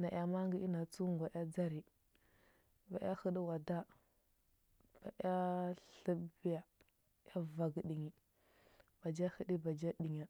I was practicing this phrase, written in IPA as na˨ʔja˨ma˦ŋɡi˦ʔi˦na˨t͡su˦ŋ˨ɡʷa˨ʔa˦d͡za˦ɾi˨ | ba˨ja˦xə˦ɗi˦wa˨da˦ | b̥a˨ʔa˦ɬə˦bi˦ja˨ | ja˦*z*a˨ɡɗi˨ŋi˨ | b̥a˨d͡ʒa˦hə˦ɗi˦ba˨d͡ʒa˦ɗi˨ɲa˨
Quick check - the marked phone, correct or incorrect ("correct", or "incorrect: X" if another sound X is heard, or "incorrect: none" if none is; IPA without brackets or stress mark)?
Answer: incorrect: v